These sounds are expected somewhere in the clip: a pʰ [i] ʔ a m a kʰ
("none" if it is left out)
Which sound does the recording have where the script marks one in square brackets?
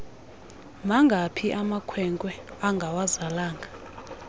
i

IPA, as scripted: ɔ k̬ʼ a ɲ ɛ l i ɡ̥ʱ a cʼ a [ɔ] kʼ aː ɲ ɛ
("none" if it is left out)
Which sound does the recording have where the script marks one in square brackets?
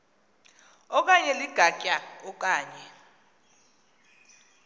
ɔ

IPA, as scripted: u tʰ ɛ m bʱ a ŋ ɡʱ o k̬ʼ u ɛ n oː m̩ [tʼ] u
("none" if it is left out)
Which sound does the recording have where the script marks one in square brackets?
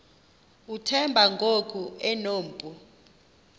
pʼ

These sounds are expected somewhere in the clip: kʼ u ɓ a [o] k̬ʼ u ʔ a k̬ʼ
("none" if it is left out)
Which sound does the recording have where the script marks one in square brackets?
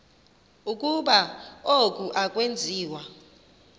o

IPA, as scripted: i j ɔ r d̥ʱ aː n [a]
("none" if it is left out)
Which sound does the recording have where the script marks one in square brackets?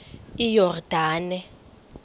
ɛ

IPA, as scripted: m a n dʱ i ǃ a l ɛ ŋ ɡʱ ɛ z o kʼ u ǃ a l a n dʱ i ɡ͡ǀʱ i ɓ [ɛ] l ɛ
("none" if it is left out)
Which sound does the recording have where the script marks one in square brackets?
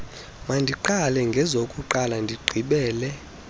ɛː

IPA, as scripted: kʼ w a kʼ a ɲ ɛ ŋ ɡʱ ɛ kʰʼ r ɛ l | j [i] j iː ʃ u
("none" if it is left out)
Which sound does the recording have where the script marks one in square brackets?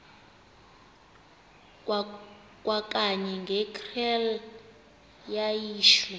a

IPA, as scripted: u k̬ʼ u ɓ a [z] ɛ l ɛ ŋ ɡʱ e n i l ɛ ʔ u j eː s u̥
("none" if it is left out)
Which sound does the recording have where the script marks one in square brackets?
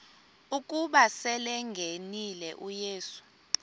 s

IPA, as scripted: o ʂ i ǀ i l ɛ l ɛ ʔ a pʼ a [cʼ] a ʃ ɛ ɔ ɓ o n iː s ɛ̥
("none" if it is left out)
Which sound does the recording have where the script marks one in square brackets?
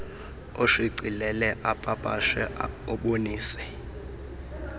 pʼ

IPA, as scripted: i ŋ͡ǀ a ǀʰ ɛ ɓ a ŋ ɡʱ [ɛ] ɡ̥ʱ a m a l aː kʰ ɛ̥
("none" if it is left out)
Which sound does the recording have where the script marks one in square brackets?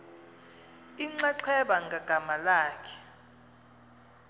a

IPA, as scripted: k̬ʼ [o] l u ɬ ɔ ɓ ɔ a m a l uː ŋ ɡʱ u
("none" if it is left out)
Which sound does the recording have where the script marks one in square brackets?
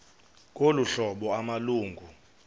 o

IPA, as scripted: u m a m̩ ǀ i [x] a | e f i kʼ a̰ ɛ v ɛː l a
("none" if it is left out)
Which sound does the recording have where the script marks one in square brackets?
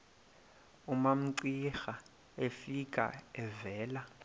x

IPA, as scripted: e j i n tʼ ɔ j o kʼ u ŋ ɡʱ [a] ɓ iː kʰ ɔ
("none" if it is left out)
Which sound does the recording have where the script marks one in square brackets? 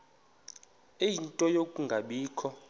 a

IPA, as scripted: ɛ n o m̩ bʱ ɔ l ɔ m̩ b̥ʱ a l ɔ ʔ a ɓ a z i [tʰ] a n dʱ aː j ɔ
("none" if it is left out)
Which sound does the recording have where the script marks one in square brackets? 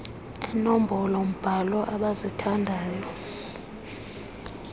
tʰ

